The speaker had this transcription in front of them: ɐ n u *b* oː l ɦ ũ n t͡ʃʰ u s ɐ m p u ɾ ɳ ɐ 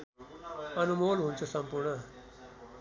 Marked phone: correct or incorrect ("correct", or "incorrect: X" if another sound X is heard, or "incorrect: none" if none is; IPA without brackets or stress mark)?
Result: incorrect: m